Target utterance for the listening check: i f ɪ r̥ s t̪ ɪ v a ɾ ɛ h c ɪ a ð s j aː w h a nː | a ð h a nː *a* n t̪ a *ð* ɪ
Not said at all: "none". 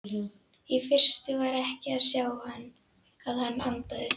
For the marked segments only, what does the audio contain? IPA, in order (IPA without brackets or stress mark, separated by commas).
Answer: a, ð